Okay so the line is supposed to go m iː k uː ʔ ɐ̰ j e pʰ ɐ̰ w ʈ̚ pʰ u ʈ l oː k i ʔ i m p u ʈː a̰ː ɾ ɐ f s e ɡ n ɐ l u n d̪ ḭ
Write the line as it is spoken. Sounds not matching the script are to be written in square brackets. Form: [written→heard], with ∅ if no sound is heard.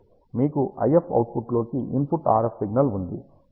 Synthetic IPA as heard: m iː k [uː→u] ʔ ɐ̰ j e pʰ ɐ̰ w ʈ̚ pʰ u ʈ l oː k i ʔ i m p u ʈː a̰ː ɾ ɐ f s [e→i] ɡ n ɐ l u n d̪ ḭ